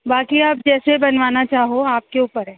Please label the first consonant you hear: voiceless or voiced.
voiced